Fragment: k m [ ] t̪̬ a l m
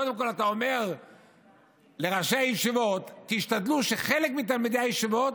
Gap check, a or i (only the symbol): i